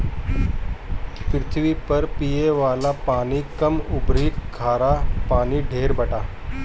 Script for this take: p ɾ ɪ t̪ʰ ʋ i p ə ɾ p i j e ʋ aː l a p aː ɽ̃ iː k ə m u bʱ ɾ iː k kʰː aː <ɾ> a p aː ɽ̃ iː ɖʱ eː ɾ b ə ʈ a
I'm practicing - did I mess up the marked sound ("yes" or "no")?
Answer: no